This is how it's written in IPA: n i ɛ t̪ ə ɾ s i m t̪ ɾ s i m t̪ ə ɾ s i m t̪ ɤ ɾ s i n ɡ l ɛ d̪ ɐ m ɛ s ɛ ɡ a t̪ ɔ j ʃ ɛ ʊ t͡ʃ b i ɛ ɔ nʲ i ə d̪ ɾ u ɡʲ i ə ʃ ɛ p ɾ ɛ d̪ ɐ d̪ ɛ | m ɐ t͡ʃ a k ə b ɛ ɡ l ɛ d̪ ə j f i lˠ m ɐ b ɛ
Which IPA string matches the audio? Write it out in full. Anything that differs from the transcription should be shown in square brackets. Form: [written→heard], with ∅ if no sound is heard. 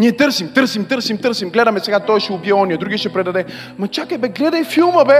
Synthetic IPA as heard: n i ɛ t̪ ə ɾ s i m t̪ ɾ s i m t̪ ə ɾ s i m t̪ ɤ ɾ s i [n→m] ɡ l ɛ d̪ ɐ m ɛ s ɛ ɡ a t̪ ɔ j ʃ ɛ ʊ [t͡ʃ→∅] b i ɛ ɔ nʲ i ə d̪ ɾ u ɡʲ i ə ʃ ɛ p ɾ ɛ d̪ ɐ d̪ ɛ | m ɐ t͡ʃ a k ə b ɛ ɡ l ɛ d̪ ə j f i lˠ m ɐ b ɛ